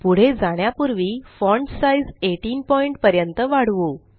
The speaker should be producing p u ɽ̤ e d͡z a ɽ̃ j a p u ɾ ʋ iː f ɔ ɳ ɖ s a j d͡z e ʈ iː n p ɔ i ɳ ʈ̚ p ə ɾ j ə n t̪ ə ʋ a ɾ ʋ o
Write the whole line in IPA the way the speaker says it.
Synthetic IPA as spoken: p u ɽ̤ e d͡z a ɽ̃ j a p u ɾ ʋ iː f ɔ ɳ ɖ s a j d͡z e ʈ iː n p ɔ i ɳ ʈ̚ p ə ɾ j ə n t̪ ə ʋ a ɽ ʋ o